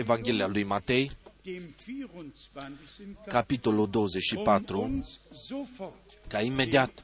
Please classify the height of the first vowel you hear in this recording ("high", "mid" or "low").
mid